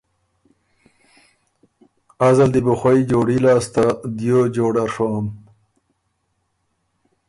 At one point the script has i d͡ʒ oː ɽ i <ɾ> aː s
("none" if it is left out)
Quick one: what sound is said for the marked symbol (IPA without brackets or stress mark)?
l